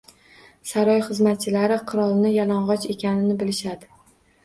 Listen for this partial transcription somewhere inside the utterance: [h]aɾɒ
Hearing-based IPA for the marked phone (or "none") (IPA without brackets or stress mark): s